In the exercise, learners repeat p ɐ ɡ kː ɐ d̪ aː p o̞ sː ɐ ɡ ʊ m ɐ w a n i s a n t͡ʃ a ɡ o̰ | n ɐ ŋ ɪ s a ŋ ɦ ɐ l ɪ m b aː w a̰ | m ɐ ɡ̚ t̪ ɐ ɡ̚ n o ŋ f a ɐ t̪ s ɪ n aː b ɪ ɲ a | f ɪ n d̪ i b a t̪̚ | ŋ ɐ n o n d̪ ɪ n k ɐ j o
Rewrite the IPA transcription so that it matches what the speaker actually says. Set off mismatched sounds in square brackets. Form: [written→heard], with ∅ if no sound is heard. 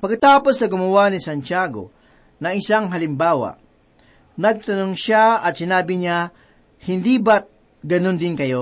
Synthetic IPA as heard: p ɐ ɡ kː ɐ [d̪→t̪] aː p o̞ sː ɐ ɡ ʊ m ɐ w a n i s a n t͡ʃ a ɡ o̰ | n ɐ ŋ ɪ s a ŋ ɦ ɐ l ɪ m b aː w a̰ | [m→n] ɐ ɡ̚ t̪ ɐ [ɡ̚→∅] n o ŋ [f→ʃ] a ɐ t̪ s ɪ n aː b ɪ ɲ a | [f→h] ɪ n d̪ i b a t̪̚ | [ŋ→ɡ] ɐ n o n d̪ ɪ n k ɐ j o